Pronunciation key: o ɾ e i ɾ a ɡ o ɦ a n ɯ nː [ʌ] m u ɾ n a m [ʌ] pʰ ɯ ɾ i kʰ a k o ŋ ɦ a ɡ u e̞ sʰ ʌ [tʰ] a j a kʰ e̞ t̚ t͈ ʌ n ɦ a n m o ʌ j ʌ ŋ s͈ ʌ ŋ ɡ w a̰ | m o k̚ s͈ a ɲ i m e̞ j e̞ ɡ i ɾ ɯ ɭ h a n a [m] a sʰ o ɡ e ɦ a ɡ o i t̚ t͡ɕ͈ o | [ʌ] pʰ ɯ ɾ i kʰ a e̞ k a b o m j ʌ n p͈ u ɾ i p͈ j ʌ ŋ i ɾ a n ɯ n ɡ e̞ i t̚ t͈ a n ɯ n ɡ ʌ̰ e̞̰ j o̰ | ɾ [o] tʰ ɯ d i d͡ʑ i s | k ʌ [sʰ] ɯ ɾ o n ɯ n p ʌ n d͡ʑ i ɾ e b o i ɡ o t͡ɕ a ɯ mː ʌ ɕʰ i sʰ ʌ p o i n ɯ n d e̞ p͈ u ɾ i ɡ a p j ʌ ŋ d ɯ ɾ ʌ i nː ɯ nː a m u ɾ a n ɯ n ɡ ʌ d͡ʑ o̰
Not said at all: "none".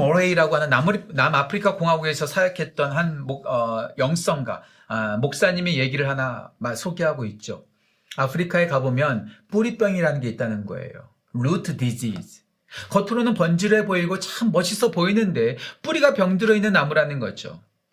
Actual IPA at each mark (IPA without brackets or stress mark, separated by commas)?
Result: a, a, sʰ, m, a, u, tʰ